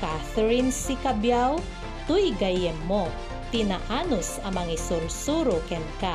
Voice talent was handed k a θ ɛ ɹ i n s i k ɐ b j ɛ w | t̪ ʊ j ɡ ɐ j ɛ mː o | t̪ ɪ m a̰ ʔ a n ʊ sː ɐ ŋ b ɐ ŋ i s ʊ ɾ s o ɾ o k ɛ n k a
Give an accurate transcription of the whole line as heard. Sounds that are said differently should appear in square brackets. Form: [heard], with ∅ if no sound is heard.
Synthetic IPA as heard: k a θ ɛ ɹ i n s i k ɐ b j [a] w | t̪ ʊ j ɡ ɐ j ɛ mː o | t̪ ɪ [n] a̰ ʔ a n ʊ [s] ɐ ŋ [m] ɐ ŋ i s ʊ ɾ s [u] ɾ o k ɛ n k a